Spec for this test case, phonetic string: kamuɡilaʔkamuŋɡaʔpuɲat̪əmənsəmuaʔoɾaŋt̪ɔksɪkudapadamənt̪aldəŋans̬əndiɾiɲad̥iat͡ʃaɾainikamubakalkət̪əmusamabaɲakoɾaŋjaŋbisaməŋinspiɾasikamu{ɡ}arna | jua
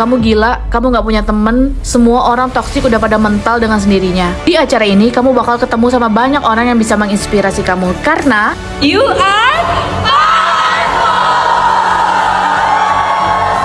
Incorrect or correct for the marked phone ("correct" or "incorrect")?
incorrect